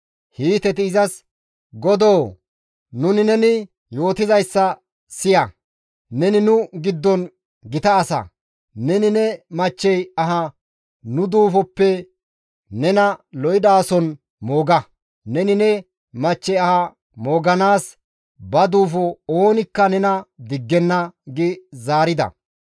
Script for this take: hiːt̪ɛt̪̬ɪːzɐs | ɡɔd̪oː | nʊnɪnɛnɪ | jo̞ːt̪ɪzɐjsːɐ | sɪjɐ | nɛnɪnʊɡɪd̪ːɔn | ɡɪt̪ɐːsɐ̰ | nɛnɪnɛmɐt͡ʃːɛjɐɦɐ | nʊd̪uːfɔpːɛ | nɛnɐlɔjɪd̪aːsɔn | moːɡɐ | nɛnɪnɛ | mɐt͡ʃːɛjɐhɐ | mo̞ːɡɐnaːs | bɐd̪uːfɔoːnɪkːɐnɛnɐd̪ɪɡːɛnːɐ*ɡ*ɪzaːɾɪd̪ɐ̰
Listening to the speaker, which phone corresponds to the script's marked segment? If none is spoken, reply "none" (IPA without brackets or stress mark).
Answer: ɡ